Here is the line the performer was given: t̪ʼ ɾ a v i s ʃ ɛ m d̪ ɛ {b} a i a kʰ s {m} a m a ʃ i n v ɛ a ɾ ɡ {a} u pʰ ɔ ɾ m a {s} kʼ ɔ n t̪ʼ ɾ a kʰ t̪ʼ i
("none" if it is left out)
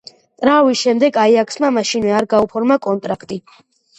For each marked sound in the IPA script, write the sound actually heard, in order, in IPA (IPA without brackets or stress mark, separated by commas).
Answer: ɡ, m, a, none